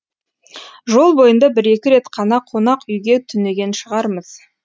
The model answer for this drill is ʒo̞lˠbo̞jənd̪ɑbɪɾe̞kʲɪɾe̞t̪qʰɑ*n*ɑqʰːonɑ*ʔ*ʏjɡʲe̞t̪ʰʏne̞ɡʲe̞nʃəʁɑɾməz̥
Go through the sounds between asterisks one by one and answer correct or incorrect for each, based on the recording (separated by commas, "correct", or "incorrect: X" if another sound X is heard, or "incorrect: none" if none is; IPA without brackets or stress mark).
correct, incorrect: q